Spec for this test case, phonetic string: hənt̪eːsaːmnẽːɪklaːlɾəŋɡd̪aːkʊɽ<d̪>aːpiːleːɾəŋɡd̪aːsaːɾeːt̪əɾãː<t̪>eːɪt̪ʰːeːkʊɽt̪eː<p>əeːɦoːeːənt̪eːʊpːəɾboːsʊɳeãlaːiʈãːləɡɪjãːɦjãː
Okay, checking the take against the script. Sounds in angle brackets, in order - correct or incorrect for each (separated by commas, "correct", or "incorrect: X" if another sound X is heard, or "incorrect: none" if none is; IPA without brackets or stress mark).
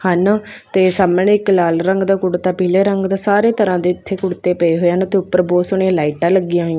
incorrect: t̪, incorrect: d̪, correct